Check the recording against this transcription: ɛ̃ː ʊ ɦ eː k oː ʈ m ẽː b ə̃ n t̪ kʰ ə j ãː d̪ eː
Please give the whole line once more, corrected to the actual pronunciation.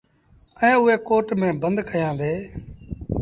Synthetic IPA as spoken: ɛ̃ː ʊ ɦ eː k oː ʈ m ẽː b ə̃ n d̪ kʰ ə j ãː d̪ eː